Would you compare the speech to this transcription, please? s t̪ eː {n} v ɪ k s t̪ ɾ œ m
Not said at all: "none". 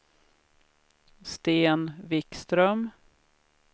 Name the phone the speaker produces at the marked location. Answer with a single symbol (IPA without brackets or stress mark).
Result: n